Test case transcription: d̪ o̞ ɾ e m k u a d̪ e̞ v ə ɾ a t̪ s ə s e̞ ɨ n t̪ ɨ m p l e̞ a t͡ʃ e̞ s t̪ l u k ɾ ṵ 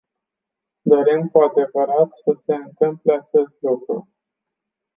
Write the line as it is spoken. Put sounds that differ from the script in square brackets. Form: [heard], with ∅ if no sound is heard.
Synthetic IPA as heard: d̪ o̞ ɾ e m k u a d̪ e̞ v ə ɾ a t̪ s ə s e̞ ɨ n t̪ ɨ m p l e̞ a t͡ʃ e̞ s t̪ l u k ɾ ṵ